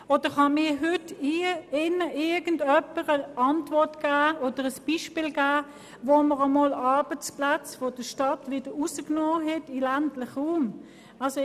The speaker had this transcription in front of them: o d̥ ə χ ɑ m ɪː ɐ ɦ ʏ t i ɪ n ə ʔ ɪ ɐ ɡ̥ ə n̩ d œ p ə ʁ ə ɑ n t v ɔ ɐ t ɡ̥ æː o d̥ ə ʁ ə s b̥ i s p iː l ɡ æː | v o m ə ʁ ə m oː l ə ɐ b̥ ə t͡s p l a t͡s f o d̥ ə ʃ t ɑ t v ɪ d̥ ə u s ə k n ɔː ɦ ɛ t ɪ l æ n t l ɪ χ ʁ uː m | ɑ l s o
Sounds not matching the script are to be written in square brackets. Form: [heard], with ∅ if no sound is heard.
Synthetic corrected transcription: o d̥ ə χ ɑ m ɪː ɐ ɦ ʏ t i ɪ n ə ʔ ɪ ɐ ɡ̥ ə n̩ d œ p ə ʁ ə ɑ n t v ɔ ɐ t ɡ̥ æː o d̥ ə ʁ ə s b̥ i [ʃ] p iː l ɡ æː | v o m ə ʁ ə m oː l [ɑ] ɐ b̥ ə t͡s p l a t͡s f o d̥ ə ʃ t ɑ t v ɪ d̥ ə u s ə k n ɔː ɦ ɛ t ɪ l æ n t l ɪ χ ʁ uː m | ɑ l s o

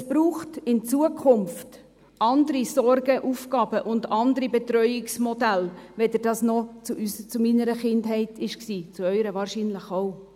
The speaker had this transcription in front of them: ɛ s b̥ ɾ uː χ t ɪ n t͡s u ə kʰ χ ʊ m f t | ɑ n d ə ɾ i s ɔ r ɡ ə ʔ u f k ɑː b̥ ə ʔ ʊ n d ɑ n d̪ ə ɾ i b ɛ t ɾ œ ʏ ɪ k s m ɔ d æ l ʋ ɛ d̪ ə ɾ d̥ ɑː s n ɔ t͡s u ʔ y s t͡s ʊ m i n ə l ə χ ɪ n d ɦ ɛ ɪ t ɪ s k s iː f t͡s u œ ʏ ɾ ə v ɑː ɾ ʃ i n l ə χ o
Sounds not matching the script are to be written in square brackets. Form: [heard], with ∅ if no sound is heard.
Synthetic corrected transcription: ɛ s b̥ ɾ uː χ t ɪ n t͡s u ə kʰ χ ʊ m f t | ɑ n d ə ɾ i s ɔ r ɡ ə ʔ u f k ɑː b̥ ə ʔ ʊ n d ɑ n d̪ ə ɾ i b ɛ t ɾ œ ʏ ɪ k s m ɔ d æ l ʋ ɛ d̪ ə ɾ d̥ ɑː s n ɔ t͡s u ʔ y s t͡s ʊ m i n ə [ɾ] ə χ ɪ n d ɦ ɛ ɪ t ɪ [ʃ] k s iː [∅] t͡s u œ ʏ ɾ ə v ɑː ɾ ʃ i n l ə χ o

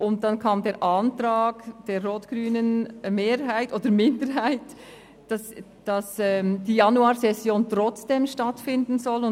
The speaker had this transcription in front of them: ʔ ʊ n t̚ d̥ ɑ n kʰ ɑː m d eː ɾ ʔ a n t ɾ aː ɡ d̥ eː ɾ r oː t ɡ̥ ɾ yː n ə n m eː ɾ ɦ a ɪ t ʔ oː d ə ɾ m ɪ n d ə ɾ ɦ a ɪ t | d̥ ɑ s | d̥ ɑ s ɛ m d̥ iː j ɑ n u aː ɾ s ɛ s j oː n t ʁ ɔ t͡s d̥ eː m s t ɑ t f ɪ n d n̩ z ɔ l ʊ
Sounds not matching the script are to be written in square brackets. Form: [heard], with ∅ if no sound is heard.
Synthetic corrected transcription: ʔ ʊ n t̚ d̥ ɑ n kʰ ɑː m d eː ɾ ʔ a n t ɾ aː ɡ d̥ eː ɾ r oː t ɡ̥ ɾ yː n ə n m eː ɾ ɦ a ɪ t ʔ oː d ə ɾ m ɪ n d ə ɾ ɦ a ɪ t | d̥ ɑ s | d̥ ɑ s ɛ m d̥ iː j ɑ n u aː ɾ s ɛ s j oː n t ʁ ɔ t͡s d̥ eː m [ʃ] t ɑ t f ɪ n d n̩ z ɔ l ʊ

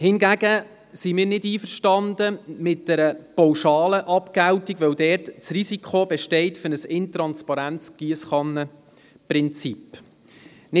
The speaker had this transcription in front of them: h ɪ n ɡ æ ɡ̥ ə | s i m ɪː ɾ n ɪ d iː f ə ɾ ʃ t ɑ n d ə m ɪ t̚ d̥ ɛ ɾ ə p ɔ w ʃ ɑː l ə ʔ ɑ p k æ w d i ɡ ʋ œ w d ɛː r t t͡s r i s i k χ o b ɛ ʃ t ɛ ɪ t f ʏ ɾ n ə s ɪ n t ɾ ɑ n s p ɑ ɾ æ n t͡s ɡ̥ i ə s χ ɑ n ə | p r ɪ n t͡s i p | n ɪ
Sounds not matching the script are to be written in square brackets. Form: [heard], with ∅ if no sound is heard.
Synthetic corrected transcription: h ɪ n ɡ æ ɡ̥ ə | s i m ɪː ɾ n ɪ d iː f ə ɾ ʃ t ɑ n d ə m ɪ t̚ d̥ ɛ ɾ ə p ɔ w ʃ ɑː l ə ʔ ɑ p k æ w [t] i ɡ ʋ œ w d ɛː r t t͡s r i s i k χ o b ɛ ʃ t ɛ ɪ t f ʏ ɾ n ə s ɪ n t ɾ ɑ n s p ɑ ɾ æ n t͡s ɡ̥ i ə s χ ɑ n ə | p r ɪ n t͡s i p | n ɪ

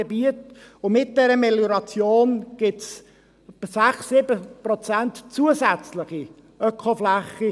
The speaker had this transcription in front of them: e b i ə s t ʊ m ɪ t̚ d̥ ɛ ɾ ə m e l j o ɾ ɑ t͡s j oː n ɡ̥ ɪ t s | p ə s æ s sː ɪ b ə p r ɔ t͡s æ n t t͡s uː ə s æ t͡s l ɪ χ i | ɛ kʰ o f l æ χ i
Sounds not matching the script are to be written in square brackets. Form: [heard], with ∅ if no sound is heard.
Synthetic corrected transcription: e b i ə [∅] t ʊ m ɪ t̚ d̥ ɛ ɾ ə m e l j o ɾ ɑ t͡s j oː n ɡ̥ ɪ t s | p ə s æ [χ] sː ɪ b ə p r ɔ t͡s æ n t t͡s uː ə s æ t͡s l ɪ χ i | [œ] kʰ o f l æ χ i

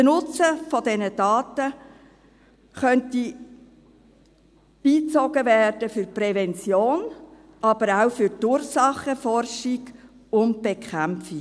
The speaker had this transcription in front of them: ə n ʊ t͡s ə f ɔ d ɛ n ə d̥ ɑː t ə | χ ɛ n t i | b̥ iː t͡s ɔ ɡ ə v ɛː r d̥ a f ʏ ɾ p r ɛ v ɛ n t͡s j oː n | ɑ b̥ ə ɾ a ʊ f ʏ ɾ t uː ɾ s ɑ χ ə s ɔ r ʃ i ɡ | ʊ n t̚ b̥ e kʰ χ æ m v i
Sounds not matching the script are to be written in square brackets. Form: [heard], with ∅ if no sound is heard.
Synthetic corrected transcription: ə n ʊ t͡s ə f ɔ d ɛ n ə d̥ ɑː t ə | χ [œ] n t i | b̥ iː t͡s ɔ ɡ ə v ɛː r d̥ [ə] f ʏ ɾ p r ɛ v ɛ n t͡s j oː n | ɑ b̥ ə ɾ a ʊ f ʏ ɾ t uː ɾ s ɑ χ ə [f] ɔ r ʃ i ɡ | ʊ n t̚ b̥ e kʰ χ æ m [f] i

